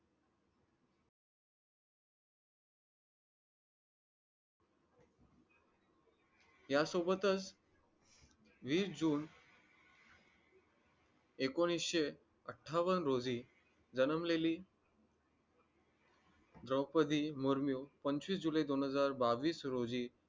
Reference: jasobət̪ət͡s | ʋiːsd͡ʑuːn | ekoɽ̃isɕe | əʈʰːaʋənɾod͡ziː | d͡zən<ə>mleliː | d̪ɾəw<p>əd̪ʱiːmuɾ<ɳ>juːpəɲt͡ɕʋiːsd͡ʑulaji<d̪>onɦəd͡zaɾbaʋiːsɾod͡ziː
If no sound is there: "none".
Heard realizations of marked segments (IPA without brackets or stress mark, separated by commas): ə, p, m, d̪